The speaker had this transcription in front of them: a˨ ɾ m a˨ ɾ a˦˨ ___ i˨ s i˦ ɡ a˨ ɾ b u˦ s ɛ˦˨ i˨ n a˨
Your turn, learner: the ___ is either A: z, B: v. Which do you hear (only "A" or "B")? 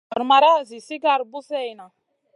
A